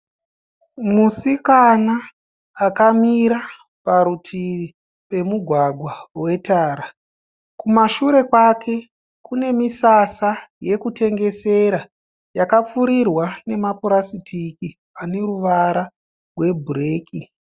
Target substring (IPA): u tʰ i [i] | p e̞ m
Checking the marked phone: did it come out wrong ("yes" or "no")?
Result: no